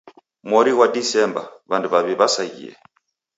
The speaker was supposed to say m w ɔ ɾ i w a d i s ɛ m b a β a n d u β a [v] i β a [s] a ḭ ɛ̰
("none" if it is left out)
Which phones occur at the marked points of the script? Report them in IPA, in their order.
β, s

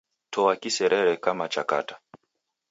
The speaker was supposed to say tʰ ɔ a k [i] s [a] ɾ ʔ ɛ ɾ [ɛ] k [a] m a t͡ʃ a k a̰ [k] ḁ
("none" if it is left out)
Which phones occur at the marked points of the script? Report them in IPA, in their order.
i, ɛ, ɛ, a, t

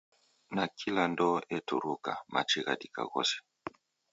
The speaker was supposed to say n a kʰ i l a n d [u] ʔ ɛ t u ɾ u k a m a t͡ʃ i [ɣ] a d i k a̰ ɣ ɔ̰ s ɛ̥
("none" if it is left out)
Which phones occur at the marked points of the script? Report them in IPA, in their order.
ɔ, ɣ

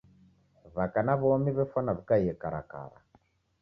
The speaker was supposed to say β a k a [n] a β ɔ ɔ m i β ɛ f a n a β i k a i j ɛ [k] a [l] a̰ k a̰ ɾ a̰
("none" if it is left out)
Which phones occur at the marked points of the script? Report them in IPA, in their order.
n, k, ɾ

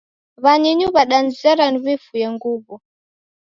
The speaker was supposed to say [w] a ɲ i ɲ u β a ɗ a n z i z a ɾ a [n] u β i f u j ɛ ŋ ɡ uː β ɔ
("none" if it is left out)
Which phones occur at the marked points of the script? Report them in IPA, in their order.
β, n

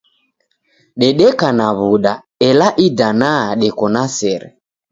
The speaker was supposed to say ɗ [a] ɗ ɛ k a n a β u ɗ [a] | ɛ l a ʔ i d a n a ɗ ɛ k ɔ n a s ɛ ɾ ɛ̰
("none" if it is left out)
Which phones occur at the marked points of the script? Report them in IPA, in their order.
ɛ, a

